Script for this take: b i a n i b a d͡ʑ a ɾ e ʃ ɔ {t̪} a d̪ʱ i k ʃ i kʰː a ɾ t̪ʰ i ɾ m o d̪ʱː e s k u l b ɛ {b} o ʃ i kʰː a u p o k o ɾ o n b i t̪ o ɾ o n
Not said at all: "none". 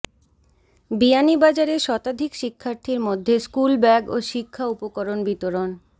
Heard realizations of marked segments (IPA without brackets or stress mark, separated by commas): t̪, ɡ